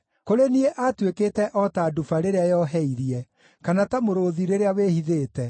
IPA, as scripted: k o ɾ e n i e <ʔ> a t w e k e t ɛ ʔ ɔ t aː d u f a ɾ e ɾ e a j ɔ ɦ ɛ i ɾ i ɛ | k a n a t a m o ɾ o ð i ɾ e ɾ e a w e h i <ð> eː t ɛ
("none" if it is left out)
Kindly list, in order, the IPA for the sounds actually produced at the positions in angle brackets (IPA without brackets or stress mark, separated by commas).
ʔ, ð